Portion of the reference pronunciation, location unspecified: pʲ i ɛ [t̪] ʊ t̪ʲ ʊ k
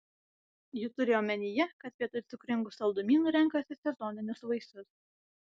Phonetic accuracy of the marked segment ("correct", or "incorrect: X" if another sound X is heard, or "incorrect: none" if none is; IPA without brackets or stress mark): correct